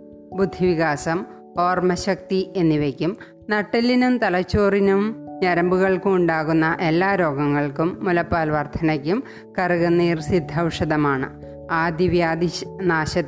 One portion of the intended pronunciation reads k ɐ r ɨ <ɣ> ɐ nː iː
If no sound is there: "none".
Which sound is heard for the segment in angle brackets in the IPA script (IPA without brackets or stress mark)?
ɣ